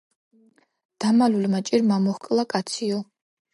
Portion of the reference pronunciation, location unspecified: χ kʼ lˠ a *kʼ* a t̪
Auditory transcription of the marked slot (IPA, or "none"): kʼ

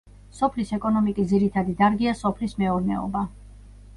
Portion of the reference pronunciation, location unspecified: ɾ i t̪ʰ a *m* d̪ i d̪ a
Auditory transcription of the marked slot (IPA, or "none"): none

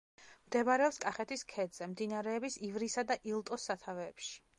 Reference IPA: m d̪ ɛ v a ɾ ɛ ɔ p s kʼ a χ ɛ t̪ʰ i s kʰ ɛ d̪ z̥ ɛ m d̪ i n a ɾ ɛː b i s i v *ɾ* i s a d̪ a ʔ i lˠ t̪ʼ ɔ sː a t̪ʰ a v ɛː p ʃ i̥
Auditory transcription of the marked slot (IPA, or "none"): ɾ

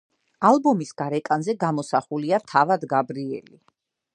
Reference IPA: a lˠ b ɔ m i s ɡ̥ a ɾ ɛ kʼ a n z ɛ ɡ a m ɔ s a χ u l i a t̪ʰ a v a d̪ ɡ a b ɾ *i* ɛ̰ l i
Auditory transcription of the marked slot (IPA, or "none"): i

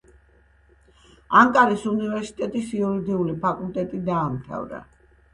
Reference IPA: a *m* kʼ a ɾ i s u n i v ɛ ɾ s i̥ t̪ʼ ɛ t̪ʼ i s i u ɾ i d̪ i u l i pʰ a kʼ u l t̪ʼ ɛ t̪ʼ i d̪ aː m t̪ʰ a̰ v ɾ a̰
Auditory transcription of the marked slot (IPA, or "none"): ŋ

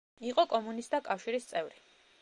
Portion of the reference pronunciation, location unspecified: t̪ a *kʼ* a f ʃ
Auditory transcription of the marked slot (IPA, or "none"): kʼ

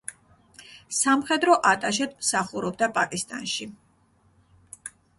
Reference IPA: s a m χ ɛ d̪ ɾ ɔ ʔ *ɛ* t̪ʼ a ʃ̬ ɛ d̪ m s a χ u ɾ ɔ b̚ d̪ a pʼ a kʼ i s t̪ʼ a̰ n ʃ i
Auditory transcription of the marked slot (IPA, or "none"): a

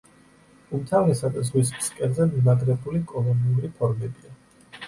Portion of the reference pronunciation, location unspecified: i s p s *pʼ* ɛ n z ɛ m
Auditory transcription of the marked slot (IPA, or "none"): kʼ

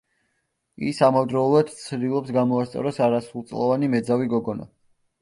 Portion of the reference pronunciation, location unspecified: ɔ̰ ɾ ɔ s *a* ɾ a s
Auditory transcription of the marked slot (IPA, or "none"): a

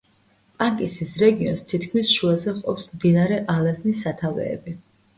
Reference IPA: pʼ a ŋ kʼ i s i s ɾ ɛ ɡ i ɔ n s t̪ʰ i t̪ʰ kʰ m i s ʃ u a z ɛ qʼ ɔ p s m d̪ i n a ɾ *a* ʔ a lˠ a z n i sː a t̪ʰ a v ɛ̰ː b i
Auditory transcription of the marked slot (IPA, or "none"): ɛ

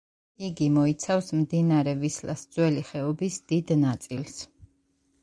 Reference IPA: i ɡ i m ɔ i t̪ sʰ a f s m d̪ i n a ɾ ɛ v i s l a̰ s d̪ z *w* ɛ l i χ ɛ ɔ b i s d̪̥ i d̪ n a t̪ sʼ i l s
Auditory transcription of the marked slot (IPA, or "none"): w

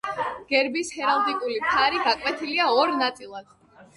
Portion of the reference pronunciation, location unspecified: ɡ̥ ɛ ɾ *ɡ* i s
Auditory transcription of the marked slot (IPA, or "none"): b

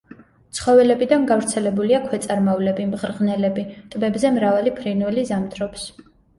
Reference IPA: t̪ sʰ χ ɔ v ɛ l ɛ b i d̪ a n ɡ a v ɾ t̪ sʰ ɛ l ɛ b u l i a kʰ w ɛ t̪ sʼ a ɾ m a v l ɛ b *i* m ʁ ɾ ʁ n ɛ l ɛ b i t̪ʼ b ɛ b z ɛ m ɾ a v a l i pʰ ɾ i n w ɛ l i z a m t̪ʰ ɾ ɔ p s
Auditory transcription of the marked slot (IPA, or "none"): i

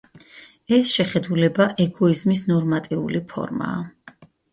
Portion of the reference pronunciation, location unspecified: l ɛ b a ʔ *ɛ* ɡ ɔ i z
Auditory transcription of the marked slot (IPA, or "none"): ɛ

